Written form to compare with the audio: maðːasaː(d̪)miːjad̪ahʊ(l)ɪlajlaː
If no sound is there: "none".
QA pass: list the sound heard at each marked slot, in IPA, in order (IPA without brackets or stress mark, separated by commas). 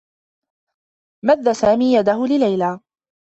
none, l